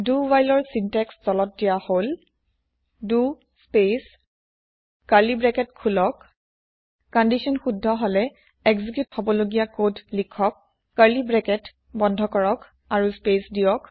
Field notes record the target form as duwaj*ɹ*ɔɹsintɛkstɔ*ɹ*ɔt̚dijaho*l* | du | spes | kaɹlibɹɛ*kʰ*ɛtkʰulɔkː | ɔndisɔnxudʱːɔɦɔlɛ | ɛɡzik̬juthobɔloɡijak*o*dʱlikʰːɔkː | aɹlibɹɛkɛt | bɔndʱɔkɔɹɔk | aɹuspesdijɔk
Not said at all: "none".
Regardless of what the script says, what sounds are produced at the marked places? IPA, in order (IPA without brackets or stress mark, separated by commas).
l, l, l, k, o